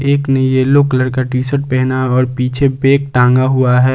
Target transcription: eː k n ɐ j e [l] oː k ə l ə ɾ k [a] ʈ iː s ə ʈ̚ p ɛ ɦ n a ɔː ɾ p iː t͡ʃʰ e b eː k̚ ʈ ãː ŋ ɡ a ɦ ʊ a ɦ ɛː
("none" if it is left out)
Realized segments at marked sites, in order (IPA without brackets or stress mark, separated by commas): l, a